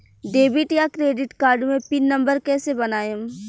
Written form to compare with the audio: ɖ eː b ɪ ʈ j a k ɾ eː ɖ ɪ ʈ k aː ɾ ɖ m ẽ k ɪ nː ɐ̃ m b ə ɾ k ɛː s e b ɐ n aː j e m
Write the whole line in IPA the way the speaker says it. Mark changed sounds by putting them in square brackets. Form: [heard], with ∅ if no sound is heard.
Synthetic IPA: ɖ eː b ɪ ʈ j a k ɾ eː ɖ ɪ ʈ k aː ɾ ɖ m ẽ [p] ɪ nː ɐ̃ m b ə ɾ k ɛː s e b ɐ n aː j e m